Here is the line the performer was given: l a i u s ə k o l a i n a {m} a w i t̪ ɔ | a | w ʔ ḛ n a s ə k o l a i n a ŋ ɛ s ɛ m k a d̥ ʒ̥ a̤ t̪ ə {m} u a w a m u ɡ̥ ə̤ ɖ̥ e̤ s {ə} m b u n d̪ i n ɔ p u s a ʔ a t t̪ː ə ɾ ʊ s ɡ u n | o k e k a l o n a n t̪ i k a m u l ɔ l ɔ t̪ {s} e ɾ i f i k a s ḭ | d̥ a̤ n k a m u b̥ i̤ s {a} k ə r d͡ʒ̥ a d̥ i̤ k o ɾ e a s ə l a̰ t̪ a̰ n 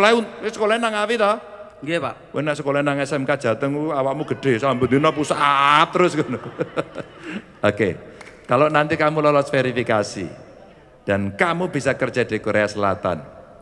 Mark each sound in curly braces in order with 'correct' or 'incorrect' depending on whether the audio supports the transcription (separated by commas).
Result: incorrect, incorrect, incorrect, incorrect, correct